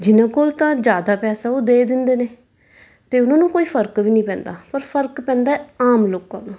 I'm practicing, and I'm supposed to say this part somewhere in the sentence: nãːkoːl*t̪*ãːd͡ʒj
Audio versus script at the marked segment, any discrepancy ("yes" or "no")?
no